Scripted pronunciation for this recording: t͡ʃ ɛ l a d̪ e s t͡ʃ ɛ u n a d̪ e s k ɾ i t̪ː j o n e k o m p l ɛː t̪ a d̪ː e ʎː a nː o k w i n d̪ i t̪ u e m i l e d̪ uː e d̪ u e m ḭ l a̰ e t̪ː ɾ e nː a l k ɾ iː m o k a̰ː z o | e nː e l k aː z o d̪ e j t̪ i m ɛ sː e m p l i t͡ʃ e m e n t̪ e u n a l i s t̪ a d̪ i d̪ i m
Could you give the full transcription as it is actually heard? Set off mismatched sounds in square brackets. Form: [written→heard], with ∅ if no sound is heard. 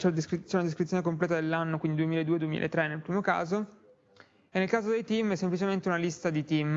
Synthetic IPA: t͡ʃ ɛ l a d̪ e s t͡ʃ ɛ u n a d̪ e s k ɾ i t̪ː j o n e k o m p l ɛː t̪ a [d̪ː→d̪] e [ʎː→lː] a nː o k w i n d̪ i [t̪→d̪] u e m i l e d̪ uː e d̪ u e m ḭ l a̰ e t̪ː ɾ e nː [a→e] l [k→p] ɾ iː m o k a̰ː z o | e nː e l k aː z o d̪ e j t̪ i m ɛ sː e m p l i t͡ʃ e m e n t̪ e u n a l i s t̪ a d̪ i [d̪→t̪] i m

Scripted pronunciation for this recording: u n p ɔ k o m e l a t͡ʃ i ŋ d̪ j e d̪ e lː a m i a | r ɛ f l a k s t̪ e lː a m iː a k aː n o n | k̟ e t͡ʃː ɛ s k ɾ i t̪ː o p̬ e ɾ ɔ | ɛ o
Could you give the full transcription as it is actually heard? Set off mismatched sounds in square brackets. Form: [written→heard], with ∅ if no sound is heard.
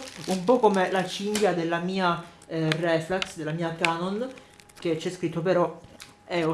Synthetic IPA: u [n→m] p ɔ k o m e l a t͡ʃ i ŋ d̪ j [e→a] d̪ e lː a m [i→iː] a | r ɛ f l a k s [t̪→d̪] e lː a m iː a k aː n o n | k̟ e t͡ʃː ɛ s k ɾ i t̪ː o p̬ e ɾ ɔ | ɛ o

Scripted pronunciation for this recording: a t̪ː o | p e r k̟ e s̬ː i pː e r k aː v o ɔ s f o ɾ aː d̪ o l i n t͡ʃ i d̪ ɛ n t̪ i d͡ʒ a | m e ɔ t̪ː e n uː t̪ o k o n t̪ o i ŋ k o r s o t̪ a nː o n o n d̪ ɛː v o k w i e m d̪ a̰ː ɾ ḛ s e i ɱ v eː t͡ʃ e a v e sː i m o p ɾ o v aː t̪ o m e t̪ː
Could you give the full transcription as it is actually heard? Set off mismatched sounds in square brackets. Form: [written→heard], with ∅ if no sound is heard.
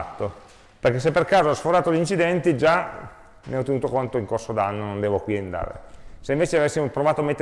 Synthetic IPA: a t̪ː o | p e r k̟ e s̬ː [i→e] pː e r k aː [v→z] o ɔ s f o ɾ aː [d̪→t̪] o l i n t͡ʃ i d̪ ɛ n t̪ i d͡ʒ a | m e ɔ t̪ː e n uː t̪ o k o n t̪ o i ŋ k o r s o [t̪→d̪] a nː o n o n d̪ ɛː v o k w i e [m→n] d̪ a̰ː ɾ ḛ s e i ɱ v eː t͡ʃ e a v e sː i m o p ɾ o v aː t̪ o m e t̪ː

